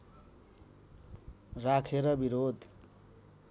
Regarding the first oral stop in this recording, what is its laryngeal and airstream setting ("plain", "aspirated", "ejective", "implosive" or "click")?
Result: aspirated